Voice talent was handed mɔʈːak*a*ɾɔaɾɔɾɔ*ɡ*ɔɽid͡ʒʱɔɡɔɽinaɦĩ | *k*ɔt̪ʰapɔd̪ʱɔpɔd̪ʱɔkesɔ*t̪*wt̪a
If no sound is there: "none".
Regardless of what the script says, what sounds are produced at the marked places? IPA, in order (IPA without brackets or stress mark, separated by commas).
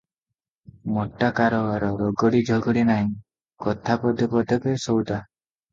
a, ɡ, k, none